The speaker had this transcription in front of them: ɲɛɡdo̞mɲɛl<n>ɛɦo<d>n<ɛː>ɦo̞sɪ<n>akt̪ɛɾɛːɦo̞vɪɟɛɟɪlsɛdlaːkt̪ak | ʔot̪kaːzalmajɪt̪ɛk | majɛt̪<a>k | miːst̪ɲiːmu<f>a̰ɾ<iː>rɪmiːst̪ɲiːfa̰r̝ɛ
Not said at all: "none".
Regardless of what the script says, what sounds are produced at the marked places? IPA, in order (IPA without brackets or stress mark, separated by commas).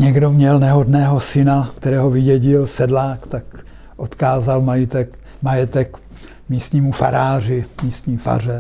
n, d, ɛː, n, ɛ, f, aː